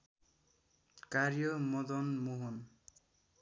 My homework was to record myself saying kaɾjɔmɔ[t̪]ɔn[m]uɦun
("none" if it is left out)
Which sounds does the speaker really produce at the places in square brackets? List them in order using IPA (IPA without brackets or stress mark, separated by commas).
d̪, m